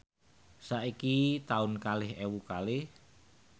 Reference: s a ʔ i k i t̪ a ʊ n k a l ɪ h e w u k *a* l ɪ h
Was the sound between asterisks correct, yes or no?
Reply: yes